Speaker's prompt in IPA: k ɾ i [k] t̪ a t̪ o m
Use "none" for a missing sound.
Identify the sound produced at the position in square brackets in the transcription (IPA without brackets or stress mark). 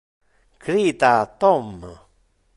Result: none